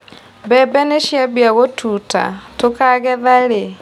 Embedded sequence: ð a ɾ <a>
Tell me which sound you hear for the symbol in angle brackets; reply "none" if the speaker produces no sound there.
e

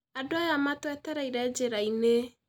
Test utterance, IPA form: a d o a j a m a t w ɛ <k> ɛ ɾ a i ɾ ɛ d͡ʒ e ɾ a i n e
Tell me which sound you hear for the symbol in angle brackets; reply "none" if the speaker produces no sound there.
t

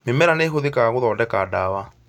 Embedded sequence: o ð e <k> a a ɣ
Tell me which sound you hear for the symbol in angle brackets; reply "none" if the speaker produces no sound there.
k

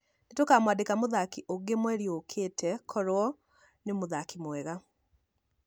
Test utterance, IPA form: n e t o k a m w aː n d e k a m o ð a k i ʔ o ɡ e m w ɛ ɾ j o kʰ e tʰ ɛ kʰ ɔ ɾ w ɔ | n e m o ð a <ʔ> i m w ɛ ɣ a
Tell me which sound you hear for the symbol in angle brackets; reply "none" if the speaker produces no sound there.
k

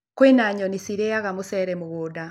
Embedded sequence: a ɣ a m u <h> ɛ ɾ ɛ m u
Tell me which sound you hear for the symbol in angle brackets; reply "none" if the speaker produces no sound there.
s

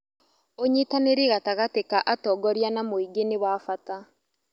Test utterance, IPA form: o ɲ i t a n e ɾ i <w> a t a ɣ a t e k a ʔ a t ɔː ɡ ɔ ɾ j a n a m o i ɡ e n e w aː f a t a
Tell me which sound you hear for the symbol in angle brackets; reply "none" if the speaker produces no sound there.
ɣ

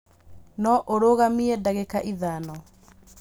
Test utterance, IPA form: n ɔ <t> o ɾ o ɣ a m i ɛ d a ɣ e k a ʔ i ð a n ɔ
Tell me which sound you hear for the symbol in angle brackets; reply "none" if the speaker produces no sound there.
ʔ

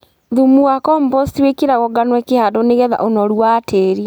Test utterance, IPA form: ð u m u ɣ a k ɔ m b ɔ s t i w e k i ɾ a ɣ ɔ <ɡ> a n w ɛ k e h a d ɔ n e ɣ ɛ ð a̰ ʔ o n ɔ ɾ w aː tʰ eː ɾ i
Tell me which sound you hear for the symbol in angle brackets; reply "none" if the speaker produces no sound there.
ɡ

